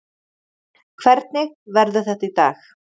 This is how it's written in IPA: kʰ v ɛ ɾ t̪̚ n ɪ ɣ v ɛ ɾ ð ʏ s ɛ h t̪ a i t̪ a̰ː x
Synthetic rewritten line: kʰ v ɛ ɾ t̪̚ n ɪ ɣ v ɛ ɾ ð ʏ θ ɛ h t̪ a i t̪ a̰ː x